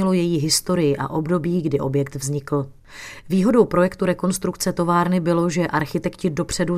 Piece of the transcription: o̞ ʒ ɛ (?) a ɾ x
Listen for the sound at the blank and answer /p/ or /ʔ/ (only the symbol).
ʔ